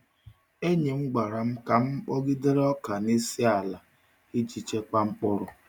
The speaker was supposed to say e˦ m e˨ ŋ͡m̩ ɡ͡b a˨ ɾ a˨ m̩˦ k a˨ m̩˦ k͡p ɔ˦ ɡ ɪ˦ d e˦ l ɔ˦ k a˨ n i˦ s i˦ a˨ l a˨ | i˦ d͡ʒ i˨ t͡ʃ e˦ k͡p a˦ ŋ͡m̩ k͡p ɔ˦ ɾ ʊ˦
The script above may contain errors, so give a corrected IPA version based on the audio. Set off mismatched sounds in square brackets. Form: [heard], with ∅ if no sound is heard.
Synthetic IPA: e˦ [ɲ] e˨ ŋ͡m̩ ɡ͡b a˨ ɾ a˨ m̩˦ k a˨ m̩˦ k͡p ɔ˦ ɡ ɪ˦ d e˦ [ɾ] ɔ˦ k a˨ n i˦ s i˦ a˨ l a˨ | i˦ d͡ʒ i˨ t͡ʃ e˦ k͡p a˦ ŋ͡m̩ k͡p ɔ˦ ɾ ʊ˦